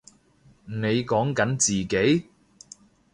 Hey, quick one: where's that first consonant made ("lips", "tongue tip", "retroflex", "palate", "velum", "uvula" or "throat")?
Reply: tongue tip